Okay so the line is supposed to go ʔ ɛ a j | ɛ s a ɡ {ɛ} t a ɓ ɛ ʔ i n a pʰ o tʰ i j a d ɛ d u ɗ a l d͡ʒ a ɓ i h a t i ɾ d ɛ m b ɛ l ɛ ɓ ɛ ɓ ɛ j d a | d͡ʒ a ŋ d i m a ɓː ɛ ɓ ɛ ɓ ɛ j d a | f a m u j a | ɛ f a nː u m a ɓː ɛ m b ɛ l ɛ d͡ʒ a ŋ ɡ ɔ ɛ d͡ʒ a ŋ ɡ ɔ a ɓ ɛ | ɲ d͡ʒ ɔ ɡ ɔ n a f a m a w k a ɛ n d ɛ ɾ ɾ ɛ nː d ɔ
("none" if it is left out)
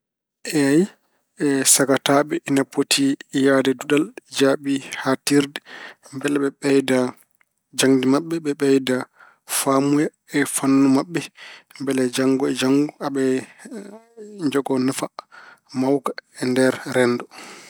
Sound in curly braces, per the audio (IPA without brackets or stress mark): a